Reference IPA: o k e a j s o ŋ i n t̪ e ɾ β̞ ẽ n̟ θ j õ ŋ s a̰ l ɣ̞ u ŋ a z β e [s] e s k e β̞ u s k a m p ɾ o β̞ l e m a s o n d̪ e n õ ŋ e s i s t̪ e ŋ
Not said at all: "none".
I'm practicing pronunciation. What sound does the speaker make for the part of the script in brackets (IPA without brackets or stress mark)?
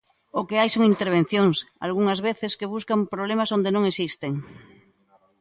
θ